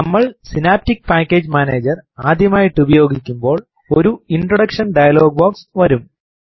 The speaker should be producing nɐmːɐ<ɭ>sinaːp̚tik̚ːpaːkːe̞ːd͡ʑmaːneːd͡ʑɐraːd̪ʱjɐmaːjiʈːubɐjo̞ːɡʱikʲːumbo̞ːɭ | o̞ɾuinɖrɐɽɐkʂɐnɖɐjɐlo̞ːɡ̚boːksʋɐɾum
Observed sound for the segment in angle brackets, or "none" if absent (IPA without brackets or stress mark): ɭ